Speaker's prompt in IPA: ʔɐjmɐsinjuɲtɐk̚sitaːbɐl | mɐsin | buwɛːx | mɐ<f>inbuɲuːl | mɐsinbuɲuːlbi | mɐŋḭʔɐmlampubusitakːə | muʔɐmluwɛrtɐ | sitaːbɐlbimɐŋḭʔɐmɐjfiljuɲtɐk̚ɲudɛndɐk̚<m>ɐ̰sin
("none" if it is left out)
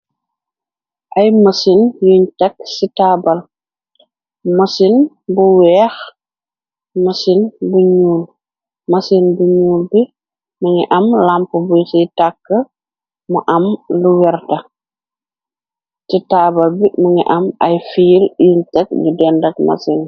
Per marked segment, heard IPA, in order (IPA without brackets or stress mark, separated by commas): s, m